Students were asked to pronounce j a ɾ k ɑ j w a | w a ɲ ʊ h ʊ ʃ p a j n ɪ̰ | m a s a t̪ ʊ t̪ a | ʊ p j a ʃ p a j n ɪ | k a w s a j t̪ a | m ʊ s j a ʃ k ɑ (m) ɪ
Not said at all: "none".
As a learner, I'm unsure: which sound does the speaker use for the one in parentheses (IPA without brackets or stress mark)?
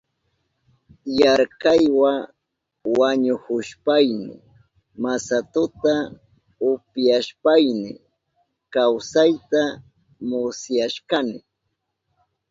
n